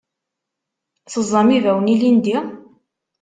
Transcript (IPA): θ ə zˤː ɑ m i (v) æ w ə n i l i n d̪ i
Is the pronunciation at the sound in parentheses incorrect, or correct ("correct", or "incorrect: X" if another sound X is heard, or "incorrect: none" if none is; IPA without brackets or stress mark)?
correct